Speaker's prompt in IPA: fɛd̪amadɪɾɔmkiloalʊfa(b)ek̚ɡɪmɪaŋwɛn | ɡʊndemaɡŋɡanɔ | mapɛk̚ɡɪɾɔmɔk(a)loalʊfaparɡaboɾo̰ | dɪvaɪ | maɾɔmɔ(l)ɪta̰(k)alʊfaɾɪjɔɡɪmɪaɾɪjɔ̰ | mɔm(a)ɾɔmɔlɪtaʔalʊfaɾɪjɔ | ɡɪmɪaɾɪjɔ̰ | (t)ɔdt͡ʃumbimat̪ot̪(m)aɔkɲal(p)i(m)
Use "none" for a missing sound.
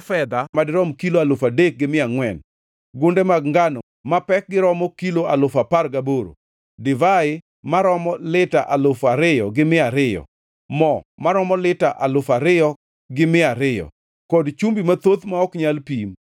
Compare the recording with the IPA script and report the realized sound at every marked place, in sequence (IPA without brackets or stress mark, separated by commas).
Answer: d, i, l, ʔ, a, k, m, p, m